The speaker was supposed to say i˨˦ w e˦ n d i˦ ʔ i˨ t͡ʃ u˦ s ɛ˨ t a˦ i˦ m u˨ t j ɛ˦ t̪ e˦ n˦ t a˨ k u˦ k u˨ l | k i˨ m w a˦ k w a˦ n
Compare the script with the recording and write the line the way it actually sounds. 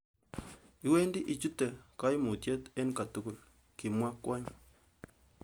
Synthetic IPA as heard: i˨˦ w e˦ n d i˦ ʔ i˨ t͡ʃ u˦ t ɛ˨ k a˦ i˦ m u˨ t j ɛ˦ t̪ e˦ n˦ k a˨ t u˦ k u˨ l | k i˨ m w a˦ k w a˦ ɲ